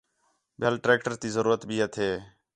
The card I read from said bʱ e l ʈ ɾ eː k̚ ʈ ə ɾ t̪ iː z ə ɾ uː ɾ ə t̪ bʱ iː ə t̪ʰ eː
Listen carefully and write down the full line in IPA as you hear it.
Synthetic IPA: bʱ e l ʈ ɾ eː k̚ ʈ ə ɾ t̪ iː z ə ɾ uː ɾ ə t̪ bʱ iː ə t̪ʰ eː